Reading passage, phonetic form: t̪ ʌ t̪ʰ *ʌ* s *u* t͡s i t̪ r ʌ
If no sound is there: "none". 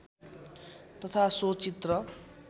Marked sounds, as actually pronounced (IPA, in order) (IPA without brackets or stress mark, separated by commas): a, o